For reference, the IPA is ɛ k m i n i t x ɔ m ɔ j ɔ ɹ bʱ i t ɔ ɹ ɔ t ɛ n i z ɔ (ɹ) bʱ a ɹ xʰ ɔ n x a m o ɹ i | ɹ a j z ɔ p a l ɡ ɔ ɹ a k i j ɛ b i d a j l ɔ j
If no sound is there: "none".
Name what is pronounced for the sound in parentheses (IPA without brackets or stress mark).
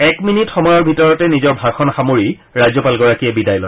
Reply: ɹ